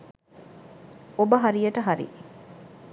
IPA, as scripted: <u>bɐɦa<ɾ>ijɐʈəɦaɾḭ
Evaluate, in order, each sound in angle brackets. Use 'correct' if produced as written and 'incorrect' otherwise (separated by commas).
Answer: incorrect, correct